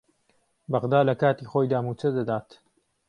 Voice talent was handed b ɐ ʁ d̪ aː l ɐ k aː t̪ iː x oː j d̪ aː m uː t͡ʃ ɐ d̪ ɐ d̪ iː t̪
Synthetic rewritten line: b ɐ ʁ d̪ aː l ɐ k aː t̪ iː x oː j d̪ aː m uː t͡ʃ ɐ d̪ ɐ d̪ aː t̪